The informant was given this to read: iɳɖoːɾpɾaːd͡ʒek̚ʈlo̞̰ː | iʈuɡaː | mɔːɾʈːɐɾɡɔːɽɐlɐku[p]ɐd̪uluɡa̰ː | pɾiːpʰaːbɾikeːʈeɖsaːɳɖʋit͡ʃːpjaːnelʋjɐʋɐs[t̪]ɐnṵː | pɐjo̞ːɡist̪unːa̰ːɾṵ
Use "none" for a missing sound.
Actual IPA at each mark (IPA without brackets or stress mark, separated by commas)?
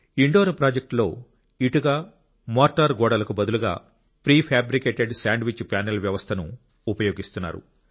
b, t̪ʰ